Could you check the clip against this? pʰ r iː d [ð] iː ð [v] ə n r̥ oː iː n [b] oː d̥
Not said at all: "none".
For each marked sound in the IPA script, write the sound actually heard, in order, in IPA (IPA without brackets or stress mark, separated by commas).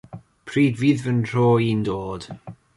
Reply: v, v, d